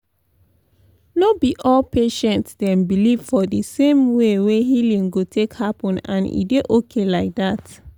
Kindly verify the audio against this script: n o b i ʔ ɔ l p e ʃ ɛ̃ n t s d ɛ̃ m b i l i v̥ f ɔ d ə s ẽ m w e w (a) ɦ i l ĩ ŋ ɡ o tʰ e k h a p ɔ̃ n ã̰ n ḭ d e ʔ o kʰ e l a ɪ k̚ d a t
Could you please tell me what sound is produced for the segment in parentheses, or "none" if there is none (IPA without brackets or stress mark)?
e